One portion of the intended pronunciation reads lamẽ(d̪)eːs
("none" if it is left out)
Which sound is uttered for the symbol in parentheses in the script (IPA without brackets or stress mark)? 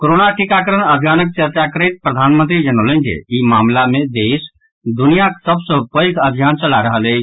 d̪